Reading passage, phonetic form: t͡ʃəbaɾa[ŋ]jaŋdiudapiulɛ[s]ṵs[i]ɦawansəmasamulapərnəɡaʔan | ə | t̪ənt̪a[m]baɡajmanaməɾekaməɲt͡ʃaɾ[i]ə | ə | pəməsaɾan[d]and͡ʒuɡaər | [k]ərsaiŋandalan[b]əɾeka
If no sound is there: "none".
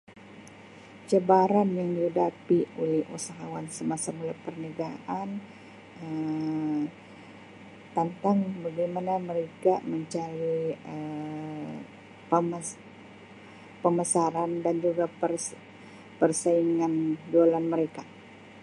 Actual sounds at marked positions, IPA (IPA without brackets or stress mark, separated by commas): n, h, a, ŋ, i, d, p, m